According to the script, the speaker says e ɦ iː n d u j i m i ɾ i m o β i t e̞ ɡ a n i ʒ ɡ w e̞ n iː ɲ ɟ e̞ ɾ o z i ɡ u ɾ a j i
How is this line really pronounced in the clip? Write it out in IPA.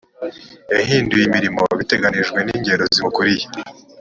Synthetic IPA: e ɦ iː n d u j i m i ɾ i m o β i t e̞ ɡ a n i ʒ ɡ w e̞ n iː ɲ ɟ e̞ ɾ o z i k u ɾ i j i